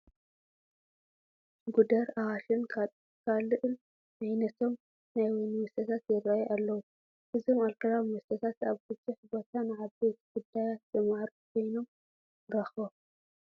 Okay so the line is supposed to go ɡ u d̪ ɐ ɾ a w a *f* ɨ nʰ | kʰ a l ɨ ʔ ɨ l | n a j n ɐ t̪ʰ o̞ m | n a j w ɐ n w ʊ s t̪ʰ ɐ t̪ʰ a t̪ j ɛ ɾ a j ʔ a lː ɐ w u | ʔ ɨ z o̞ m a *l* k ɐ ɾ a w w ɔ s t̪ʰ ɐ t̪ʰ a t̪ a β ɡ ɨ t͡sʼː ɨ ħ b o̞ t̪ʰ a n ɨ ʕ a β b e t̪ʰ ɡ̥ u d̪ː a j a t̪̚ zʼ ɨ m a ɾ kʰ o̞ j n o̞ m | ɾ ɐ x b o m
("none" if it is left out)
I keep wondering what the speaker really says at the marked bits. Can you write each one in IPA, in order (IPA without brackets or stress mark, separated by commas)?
ʃ, l